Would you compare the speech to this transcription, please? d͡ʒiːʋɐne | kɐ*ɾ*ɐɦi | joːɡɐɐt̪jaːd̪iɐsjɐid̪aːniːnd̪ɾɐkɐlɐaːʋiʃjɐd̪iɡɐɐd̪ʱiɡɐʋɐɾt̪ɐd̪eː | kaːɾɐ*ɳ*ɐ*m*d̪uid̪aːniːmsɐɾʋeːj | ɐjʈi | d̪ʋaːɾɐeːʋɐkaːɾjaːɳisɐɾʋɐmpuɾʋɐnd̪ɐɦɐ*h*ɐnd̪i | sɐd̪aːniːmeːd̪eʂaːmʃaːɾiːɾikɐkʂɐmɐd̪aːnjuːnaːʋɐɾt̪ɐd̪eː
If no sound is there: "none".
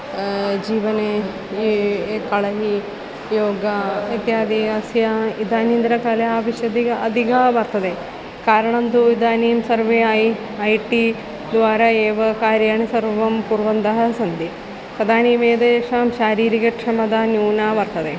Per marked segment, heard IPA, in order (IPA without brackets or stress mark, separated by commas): ɭ, ɳ, n, s